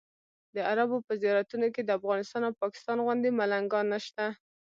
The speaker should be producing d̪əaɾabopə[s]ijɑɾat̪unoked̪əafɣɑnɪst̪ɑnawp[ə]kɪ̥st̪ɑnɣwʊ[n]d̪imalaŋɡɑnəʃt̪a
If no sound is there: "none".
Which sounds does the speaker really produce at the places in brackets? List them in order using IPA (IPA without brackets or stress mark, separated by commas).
z, ɑ, n